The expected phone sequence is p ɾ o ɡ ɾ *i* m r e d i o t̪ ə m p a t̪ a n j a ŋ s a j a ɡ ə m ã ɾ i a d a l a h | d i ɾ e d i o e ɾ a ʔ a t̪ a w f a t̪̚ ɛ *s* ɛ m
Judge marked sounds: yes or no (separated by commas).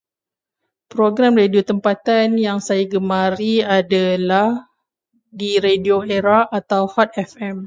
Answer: no, no